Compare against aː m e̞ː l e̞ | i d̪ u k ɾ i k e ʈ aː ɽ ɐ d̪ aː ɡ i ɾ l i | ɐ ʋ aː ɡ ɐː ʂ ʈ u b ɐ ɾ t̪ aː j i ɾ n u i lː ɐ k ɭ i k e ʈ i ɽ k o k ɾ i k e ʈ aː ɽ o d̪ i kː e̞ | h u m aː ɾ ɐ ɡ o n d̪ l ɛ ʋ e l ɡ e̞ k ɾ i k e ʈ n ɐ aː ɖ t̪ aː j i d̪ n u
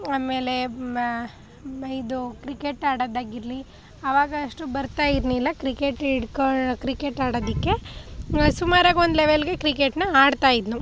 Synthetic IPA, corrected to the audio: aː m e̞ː l e̞ | i d̪ u k ɾ i k e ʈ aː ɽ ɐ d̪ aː ɡ i ɾ l i | ɐ ʋ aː ɡ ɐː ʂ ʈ u b ɐ ɾ t̪ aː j i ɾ n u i lː ɐ k ɾ i k e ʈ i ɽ k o k ɾ i k e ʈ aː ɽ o d̪ i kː e̞ | s u m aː ɾ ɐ ɡ o n d̪ l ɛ ʋ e l ɡ e̞ k ɾ i k e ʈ n ɐ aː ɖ t̪ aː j i d̪ n u